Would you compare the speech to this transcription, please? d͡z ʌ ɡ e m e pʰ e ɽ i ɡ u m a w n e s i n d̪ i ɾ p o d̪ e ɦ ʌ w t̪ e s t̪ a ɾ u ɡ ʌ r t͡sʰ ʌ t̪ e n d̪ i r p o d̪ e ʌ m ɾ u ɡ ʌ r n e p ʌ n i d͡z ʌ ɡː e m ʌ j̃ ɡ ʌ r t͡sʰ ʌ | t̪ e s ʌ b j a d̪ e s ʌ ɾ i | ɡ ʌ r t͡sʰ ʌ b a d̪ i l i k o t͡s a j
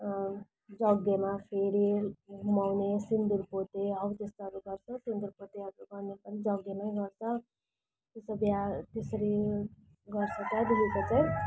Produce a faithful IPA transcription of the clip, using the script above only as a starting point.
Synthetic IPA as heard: d͡z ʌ ɡ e m a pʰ e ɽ i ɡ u m a w n e s i n d̪ i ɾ p o t̪ e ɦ ʌ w t̪ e s t̪ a ɾ u ɡ ʌ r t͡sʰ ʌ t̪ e n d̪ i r p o t̪ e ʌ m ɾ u ɡ ʌ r n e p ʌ n i d͡z ʌ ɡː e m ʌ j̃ ɡ ʌ r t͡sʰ ʌ | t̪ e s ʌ b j a t̪ e s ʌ ɾ i | ɡ ʌ r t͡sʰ ʌ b a d̪ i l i k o t͡s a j

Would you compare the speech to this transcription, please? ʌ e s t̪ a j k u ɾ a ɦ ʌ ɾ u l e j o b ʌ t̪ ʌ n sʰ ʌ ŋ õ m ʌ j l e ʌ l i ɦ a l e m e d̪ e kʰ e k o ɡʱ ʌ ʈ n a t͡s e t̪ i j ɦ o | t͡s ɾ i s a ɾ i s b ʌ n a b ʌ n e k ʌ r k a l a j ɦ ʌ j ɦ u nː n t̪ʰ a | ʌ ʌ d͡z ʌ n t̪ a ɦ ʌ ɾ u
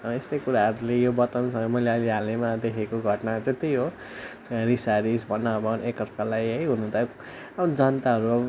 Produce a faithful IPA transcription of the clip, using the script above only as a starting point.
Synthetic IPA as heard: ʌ e s t̪ ʌ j k u ɾ a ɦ ʌ ɾ u l e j o b ʌ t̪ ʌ n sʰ ʌ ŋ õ m ʌ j l e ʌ l i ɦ a l e m a d̪ e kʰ e k o ɡʱ ʌ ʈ n a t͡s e t̪ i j ɦ o | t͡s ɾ i s a ɾ i s b ʌ n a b ʌ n e k ʌ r k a l a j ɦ ʌ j ɦ u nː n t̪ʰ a | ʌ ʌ d͡z ʌ n t̪ a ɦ ʌ ɾ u

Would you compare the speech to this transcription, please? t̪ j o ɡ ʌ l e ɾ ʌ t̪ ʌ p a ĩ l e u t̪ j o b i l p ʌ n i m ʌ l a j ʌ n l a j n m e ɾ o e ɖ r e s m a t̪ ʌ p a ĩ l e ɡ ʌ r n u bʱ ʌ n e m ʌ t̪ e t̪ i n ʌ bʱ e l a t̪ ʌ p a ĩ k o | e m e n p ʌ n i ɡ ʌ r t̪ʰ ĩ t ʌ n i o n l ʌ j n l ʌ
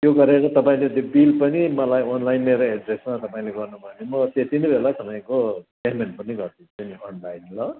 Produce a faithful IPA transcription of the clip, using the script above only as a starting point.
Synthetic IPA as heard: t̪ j o ɡ ʌ ɾ e ɾ ʌ t̪ ʌ p a ĩ l e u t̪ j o b i l p ʌ n i m ʌ l a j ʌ n l a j n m e ɾ o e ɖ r e s m a t̪ ʌ p a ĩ l e ɡ ʌ r n u bʱ ʌ n e m ʌ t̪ e t̪ i n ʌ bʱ e l a t̪ ʌ p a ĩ k o | e m e n p ʌ n i ɡ ʌ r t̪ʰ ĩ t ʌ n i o n l a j n l ʌ

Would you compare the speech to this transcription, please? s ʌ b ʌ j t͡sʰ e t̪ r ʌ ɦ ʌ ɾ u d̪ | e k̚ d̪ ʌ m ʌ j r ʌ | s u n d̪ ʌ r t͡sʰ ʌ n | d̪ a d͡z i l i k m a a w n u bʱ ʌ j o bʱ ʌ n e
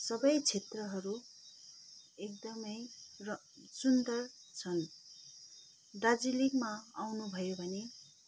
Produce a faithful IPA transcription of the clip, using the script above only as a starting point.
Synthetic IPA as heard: s ʌ b ʌ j t͡sʰ e t̪ r ʌ ɦ ʌ ɾ u | e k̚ d̪ ʌ m ʌ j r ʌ | s u n d̪ ʌ r t͡sʰ ʌ n | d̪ a d͡z i l i k m a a w n u bʱ ʌ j o bʱ ʌ n e

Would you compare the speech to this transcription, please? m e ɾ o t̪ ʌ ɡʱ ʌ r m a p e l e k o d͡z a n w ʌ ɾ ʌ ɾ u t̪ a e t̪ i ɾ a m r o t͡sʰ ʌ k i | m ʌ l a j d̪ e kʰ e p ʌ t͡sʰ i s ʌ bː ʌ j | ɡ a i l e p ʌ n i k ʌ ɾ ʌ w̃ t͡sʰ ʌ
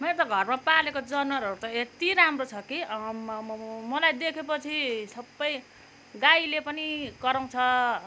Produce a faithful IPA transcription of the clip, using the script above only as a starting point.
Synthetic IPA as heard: m e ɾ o t̪ ʌ ɡʱ ʌ r m a p a l e k o d͡z ʌ n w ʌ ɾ ʌ ɾ u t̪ ʌ e t̪ i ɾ a m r o t͡sʰ ʌ k i | m ʌ l a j d̪ e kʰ e p ʌ t͡sʰ i s ʌ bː ʌ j | ɡ a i l e p ʌ n i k ʌ ɾ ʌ w̃ t͡sʰ ʌ

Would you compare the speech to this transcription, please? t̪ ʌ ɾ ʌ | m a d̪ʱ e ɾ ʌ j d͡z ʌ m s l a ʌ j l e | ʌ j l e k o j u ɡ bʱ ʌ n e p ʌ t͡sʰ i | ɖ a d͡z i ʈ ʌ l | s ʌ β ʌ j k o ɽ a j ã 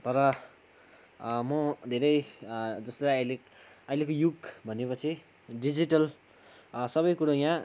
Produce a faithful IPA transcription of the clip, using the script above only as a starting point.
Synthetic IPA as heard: t̪ ʌ ɾ ʌ | m ʌ d̪ʱ e ɾ ʌ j d͡z ʌ s l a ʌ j l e | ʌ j l e k o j u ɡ bʱ ʌ n e p ʌ t͡sʰ i | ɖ i d͡z i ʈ ʌ l | s ʌ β ʌ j k u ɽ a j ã

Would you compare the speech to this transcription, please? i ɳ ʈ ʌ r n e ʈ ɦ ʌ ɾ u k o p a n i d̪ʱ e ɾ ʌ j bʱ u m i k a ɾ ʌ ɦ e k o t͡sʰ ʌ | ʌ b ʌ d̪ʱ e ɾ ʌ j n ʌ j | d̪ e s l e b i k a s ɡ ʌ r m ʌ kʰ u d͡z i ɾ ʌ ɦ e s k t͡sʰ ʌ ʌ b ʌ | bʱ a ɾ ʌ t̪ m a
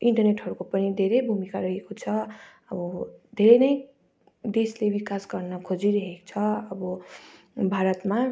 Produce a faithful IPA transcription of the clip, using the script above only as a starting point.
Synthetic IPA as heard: i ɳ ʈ ʌ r n e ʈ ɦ ʌ ɾ u k o p ʌ n i d̪ʱ e ɾ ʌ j bʱ u m i k a ɾ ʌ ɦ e k o t͡sʰ ʌ | ʌ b ʌ d̪ʱ e ɾ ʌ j n ʌ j | d̪ e s l e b i k a s ɡ ʌ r n ʌ kʰ o d͡z i ɾ ʌ ɦ e k t͡sʰ ʌ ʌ b ʌ | bʱ a ɾ ʌ t̪ m a

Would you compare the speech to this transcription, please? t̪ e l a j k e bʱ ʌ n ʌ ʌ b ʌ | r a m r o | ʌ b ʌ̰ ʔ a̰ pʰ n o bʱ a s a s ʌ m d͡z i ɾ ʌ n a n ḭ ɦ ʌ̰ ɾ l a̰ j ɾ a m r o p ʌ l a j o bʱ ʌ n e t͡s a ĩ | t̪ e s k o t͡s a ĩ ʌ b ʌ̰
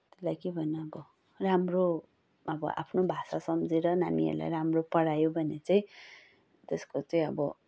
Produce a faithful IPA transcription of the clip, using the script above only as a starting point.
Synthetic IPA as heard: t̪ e l a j k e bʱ ʌ n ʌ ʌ b ʌ | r a m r o | ʌ b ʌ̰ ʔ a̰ pʰ n o bʱ a s a s ʌ m d͡z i ɾ ʌ n a n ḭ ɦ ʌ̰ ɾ l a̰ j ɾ a m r o p ʌ ɽ a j o bʱ ʌ n e t͡s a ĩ | t̪ e s k o t͡s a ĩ ʌ b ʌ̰

